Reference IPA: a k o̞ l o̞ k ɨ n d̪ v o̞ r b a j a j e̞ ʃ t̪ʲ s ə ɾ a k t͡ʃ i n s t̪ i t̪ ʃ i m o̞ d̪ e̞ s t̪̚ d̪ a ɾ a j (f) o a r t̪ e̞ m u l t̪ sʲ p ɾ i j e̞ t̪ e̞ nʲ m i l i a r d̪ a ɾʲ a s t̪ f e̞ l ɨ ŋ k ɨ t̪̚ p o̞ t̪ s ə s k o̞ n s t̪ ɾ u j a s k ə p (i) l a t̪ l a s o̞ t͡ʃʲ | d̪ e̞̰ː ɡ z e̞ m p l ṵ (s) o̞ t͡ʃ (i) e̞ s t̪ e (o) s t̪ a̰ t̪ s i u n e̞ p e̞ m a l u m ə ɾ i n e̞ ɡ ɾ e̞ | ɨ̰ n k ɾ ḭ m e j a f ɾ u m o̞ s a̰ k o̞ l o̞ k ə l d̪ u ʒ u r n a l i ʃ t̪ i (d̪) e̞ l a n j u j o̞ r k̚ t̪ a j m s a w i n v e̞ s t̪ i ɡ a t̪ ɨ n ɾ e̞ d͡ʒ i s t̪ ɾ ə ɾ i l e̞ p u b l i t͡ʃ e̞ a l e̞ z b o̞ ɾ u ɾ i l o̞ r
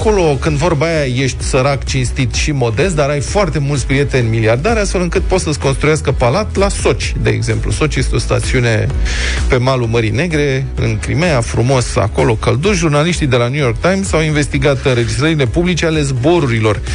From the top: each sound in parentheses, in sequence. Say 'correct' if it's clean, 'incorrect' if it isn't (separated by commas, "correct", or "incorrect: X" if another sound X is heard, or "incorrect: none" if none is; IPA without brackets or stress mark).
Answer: correct, incorrect: a, correct, incorrect: j, correct, correct